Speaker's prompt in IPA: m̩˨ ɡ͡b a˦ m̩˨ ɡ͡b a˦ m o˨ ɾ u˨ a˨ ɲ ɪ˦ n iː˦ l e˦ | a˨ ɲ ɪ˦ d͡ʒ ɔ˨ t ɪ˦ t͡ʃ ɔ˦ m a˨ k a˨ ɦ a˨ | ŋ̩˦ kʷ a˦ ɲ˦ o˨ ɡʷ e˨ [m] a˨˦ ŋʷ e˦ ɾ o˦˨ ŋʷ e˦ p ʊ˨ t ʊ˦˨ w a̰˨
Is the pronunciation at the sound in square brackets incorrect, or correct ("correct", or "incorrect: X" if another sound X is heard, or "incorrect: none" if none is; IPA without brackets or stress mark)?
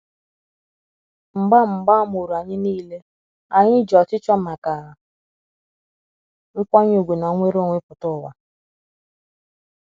incorrect: n